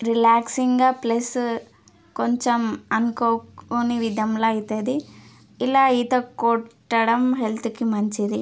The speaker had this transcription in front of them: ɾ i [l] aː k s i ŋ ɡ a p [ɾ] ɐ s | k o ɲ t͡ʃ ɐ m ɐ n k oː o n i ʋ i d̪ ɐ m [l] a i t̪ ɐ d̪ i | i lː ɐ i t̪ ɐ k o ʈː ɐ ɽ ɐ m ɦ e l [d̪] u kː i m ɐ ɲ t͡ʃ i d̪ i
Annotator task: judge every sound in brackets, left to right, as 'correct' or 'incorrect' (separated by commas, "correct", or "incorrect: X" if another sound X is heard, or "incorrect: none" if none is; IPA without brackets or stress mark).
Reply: correct, incorrect: l, correct, incorrect: t̪